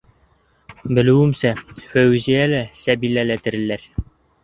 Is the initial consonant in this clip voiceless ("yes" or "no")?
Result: no